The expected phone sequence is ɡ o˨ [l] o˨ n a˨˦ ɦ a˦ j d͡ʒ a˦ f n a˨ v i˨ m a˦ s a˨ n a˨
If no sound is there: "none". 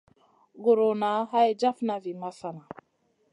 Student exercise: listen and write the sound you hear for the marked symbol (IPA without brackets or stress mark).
ɾ